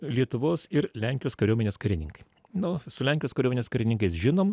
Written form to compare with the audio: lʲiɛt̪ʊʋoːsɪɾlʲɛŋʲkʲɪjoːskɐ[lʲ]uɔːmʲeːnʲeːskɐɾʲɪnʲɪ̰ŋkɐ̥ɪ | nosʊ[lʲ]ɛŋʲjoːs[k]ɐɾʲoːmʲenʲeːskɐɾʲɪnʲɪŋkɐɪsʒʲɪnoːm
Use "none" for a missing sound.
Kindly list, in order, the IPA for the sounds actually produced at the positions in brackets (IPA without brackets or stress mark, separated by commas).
ɾʲ, lʲ, k